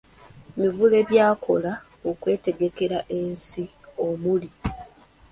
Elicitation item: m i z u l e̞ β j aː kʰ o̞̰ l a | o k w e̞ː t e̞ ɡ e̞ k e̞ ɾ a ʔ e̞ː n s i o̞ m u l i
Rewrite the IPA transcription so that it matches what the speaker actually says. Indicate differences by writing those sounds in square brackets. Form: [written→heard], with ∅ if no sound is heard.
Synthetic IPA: m i [z→v] u l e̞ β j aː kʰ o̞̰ l a | o k w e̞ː t e̞ ɡ e̞ k e̞ ɾ a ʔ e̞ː n s i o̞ m u l i